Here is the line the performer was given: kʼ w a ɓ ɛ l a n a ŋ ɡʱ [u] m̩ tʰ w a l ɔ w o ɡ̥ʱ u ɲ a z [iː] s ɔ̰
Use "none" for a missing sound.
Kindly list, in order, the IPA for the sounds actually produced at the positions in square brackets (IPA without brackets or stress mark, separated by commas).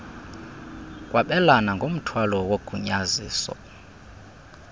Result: o, iː